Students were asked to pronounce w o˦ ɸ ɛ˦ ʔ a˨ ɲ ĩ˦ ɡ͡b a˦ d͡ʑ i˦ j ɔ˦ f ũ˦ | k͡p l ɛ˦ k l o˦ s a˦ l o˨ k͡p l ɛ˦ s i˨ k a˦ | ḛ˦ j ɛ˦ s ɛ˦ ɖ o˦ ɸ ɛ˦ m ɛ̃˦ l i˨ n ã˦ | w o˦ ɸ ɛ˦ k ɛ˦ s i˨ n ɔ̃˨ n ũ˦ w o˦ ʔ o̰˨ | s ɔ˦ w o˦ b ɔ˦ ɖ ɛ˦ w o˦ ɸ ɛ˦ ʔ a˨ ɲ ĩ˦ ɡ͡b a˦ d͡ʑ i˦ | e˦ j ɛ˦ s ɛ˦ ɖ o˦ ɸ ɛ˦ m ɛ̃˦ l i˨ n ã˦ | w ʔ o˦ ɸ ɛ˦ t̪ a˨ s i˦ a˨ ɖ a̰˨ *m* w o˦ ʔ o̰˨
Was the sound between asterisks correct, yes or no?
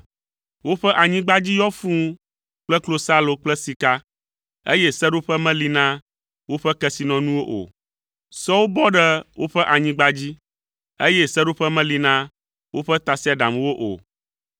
yes